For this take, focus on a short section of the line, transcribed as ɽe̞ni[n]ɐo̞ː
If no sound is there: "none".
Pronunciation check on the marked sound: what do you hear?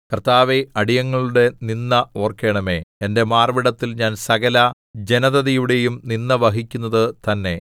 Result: nː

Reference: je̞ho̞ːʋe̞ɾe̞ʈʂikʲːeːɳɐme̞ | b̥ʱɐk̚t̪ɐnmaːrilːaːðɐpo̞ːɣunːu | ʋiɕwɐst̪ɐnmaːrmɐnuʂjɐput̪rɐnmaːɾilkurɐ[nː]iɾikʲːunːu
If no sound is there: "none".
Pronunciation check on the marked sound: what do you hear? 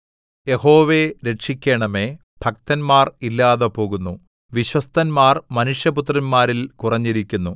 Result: ɲː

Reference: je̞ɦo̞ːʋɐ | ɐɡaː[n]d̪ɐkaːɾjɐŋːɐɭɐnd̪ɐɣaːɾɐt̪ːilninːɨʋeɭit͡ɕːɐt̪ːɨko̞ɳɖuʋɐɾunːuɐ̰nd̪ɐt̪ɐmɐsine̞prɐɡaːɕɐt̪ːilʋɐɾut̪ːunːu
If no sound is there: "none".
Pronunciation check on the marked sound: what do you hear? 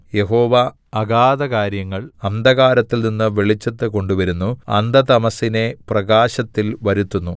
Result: none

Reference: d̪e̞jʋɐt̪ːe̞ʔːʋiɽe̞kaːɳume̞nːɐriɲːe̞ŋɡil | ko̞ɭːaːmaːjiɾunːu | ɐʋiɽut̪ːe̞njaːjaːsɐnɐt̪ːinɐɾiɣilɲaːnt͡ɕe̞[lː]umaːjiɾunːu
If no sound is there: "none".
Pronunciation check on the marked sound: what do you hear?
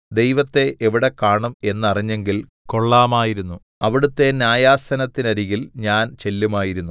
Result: lː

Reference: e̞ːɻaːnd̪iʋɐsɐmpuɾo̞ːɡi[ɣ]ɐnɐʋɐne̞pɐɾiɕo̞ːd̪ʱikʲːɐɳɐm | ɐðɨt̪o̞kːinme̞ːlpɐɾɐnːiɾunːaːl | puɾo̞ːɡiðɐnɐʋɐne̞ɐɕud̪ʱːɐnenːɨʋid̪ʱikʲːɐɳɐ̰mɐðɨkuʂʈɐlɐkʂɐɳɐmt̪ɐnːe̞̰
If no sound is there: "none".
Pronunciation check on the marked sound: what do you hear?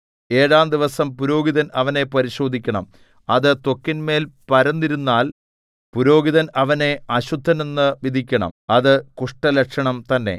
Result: ð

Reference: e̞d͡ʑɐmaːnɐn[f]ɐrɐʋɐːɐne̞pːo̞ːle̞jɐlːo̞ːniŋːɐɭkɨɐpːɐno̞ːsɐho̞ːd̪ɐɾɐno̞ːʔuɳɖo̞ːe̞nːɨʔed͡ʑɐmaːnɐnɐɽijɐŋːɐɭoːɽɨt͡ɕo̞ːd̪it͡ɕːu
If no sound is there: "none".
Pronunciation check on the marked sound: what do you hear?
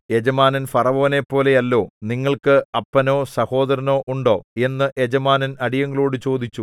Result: f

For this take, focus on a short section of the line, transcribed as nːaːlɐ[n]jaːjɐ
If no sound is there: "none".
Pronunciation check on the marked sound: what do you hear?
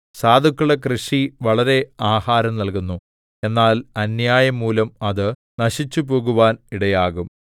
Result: n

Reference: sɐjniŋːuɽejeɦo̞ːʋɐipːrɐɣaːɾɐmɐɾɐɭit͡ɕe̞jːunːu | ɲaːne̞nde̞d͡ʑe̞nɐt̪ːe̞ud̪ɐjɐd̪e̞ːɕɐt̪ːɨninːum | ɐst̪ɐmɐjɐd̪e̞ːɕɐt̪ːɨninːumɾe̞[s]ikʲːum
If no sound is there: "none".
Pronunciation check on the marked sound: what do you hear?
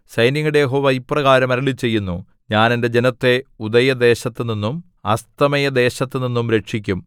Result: ʂ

